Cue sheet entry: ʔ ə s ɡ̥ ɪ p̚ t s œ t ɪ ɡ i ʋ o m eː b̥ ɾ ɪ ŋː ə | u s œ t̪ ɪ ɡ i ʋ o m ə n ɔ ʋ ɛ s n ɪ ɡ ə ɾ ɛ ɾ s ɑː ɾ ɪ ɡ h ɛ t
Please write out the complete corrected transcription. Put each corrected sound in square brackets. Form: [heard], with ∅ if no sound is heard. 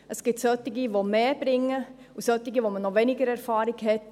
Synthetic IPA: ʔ ə s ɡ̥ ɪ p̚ t s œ t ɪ ɡ i ʋ o m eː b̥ ɾ ɪ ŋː ə | u s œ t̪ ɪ ɡ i ʋ o m ə n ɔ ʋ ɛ [∅] n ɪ ɡ ə ɾ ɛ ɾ [f] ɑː ɾ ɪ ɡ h ɛ t